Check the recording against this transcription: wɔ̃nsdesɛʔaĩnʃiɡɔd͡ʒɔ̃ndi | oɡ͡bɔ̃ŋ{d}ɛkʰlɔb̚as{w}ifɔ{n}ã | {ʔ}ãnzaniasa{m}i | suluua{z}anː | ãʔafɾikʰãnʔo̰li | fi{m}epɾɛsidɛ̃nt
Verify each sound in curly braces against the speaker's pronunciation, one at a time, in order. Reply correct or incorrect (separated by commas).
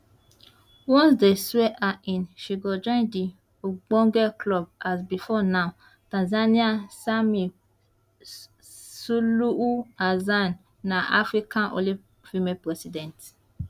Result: incorrect, incorrect, correct, incorrect, correct, correct, correct